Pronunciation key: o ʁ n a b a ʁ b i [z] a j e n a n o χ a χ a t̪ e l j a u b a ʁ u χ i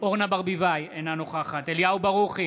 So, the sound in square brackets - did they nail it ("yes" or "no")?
no